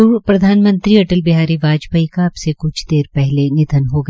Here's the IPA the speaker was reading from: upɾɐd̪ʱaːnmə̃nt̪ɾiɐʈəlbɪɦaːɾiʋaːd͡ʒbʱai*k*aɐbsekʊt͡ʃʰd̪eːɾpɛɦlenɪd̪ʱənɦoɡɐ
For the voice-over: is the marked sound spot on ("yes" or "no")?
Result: yes